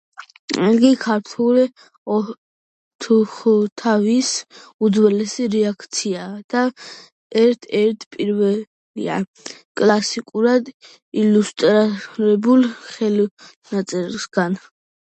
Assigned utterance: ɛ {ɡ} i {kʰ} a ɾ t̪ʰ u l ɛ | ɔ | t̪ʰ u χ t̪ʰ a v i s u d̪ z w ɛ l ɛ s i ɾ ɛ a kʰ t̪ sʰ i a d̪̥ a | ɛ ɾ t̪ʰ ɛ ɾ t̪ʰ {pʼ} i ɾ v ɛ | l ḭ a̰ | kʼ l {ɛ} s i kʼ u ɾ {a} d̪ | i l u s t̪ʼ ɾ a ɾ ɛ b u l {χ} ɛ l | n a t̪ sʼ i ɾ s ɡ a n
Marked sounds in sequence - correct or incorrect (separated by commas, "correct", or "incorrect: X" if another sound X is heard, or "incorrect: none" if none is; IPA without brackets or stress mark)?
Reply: correct, correct, correct, incorrect: a, correct, correct